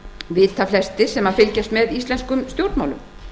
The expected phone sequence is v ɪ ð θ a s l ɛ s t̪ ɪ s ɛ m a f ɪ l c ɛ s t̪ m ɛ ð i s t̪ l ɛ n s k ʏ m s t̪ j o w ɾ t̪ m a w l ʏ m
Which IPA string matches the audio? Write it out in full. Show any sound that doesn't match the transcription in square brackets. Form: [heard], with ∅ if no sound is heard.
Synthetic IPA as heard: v ɪ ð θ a [f] l ɛ s t̪ ɪ s ɛ m a f ɪ l c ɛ s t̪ m ɛ ð i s t̪ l ɛ n s k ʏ m s t̪ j o w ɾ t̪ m a w l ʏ m